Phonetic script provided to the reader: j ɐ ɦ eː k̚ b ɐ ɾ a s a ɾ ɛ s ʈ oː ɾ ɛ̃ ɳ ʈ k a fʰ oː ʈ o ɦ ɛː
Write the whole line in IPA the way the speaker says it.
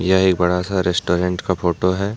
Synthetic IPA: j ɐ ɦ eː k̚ b ɐ ɽ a s a ɾ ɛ s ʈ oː ɾ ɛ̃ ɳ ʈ k a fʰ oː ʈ o ɦ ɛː